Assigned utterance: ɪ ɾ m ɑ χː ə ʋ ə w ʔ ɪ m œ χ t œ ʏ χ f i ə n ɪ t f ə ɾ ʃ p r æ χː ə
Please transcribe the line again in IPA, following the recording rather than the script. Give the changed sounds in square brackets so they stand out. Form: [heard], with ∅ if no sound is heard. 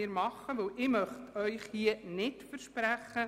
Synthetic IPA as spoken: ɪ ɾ m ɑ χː ə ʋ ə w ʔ ɪ m œ χ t œ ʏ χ [h] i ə n ɪ t f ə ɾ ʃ p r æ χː ə